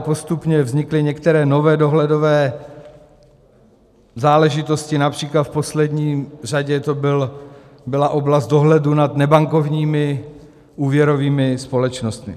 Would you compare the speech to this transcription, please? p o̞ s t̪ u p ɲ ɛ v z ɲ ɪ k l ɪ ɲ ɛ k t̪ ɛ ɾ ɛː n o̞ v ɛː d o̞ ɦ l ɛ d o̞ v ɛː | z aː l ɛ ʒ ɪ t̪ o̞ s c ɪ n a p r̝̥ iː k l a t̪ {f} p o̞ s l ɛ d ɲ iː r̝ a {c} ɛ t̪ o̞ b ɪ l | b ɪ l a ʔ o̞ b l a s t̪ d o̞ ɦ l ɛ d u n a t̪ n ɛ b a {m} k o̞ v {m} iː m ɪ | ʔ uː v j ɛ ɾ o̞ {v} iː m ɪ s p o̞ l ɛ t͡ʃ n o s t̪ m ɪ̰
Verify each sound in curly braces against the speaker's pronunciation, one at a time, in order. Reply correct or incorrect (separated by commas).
correct, incorrect, incorrect, incorrect, correct